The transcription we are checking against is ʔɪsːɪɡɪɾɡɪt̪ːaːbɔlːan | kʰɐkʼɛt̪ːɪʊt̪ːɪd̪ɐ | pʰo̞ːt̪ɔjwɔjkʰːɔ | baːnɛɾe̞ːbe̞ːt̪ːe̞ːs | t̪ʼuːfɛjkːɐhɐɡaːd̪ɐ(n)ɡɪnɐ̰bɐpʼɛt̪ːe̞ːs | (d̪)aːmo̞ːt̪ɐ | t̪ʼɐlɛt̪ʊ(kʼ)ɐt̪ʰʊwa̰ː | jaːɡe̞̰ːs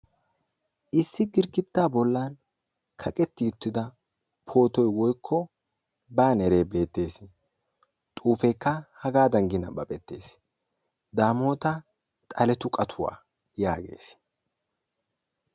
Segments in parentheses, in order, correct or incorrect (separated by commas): incorrect, correct, correct